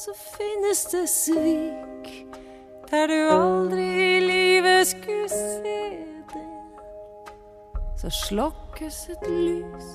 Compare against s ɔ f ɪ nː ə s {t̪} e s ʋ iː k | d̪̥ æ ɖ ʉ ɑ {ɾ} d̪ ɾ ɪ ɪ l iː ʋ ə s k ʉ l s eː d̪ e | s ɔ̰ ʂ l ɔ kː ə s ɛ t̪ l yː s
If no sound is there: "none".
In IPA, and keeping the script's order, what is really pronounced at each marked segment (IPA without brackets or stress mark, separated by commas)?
d̪, l